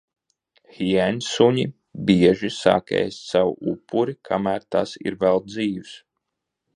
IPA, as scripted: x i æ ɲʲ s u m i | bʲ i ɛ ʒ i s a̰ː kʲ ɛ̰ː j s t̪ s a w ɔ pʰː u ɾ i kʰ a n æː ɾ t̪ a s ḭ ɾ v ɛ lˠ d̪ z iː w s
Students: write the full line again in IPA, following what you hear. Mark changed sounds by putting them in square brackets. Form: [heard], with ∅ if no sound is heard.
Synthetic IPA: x i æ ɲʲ s u [ɲ] i | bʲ i ɛ ʒ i s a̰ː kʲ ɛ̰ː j s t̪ s a w [u] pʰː u ɾ i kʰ a [m] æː ɾ t̪ a s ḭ ɾ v ɛ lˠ d̪ z iː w s

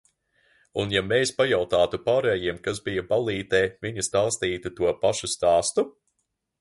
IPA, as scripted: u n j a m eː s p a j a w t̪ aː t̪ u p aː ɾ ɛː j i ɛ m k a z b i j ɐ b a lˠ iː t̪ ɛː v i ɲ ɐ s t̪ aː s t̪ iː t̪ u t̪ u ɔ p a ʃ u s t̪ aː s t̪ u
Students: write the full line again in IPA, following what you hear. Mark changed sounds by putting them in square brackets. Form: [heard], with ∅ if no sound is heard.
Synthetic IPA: u n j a m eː s p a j a w t̪ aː t̪ u p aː ɾ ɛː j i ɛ m k a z b i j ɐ b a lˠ iː t̪ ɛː v i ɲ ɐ s t̪ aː s t̪ iː t̪ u t̪ u ɔ p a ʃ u s t̪ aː s t̪ u

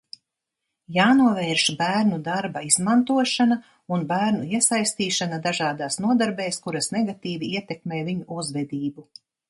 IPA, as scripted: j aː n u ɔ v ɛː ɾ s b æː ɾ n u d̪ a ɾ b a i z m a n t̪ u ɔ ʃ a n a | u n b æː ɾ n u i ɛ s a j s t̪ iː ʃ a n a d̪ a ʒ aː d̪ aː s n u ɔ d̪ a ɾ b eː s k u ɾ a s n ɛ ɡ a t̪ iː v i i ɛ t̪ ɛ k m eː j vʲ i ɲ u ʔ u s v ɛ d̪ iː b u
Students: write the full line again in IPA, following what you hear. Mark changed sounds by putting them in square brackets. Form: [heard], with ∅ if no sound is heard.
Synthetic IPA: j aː n u ɔ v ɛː ɾ [ʃ] b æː ɾ n u d̪ a ɾ b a i z m a n t̪ u ɔ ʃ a n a | u n b æː ɾ n u i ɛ s a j s t̪ iː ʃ a n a d̪ a ʒ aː d̪ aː s n u ɔ d̪ a ɾ b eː s k u ɾ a s n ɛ ɡ a t̪ iː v i i ɛ t̪ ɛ k m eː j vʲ i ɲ u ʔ u [z] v ɛ d̪ iː b u

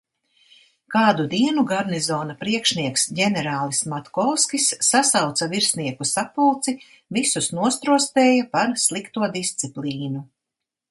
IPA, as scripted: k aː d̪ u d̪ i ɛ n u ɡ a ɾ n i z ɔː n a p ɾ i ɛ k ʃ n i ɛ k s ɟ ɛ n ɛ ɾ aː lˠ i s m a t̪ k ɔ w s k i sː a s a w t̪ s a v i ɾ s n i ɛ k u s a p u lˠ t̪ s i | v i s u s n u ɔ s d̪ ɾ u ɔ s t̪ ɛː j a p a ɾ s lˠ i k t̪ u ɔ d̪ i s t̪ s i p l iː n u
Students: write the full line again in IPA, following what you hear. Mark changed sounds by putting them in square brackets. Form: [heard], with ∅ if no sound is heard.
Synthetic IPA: k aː d̪ u d̪ i ɛ n u ɡ a ɾ n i z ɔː n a p ɾ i ɛ k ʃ n i ɛ k s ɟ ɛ n ɛ ɾ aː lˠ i s m a t̪ k ɔ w s k i sː a s a w t̪ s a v i ɾ s n i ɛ k u s a p u lˠ t̪ s i | v i s u s n u ɔ s [t̪] ɾ u ɔ s t̪ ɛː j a p a ɾ s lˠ i k t̪ u ɔ d̪ i s t̪ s i p l iː n u

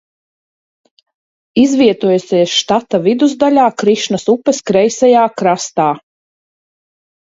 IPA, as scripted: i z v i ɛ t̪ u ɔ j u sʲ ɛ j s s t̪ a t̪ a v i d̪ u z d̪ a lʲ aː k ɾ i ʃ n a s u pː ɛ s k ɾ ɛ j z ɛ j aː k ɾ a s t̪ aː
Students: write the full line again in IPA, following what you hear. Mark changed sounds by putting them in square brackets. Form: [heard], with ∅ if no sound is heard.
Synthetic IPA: i z v i ɛ t̪ u ɔ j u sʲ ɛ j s [ʃ] t̪ a t̪ a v i d̪ u z d̪ a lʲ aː k ɾ i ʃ n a s u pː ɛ s k ɾ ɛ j [s] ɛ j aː k ɾ a s t̪ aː

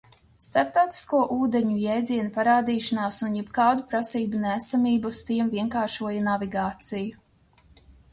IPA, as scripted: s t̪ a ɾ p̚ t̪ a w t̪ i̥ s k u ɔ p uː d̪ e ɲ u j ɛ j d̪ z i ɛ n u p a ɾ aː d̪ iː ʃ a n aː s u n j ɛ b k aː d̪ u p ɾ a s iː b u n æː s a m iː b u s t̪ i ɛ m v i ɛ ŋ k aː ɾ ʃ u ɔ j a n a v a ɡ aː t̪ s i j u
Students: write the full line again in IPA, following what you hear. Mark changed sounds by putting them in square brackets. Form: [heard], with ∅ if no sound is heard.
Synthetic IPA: s t̪ a ɾ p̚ t̪ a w t̪ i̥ s k u ɔ [ʔ] uː d̪ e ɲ u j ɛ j d̪ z i ɛ n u p a ɾ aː d̪ iː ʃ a n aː s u n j ɛ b k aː d̪ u p ɾ a s iː b u n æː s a m iː b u s t̪ i ɛ m v i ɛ ŋ k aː ɾ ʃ u ɔ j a n a v [i] ɡ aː t̪ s i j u

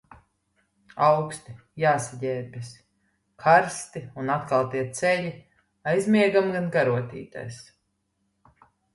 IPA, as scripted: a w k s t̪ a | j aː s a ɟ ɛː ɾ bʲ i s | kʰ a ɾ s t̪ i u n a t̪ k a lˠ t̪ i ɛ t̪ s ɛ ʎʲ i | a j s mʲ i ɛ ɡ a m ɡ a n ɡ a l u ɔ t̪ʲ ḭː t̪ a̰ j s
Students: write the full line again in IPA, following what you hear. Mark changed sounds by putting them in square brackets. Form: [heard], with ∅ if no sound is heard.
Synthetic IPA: a w k s t̪ [i] | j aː s a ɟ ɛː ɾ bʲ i s | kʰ a ɾ s t̪ i u n a t̪ k a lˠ t̪ i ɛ t̪ s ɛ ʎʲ i | a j [z] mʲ i ɛ ɡ a m ɡ a n ɡ a [ɾ] u ɔ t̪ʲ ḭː t̪ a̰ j s

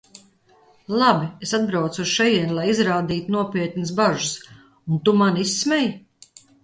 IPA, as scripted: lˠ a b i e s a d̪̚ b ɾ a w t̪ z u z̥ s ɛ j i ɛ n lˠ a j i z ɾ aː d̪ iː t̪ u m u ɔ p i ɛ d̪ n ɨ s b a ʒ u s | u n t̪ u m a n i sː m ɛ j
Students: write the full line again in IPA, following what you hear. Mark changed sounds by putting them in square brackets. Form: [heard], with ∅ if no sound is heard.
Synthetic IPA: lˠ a b i e s a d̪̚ b ɾ a w t̪ [s] u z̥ [ʃ] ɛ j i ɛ n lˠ a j i z ɾ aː d̪ iː t̪ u [n] u ɔ p i ɛ [t̪] n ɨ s b a ʒ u s | u n t̪ u m a n i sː m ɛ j

